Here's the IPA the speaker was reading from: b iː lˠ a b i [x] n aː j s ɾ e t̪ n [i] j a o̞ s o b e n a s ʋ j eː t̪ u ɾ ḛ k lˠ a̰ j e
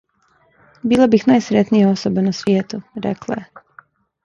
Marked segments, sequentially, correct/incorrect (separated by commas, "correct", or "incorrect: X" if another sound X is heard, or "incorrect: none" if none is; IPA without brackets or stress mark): correct, correct